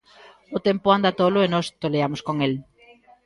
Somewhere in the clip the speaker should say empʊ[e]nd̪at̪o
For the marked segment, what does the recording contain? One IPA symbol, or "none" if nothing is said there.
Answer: a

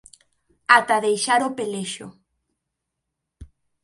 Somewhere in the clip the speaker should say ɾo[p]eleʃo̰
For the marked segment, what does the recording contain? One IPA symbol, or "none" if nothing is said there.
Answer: p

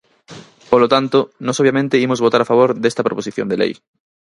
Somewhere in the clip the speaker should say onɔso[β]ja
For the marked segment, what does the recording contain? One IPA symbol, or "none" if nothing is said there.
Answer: β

